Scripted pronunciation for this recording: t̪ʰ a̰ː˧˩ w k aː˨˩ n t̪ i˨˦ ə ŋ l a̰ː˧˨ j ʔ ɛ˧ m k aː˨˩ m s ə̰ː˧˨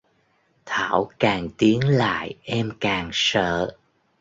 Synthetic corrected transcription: t̪ʰ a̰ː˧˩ w k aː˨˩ ŋ t̪ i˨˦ ə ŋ l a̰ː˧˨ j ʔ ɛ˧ m k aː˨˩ ŋ s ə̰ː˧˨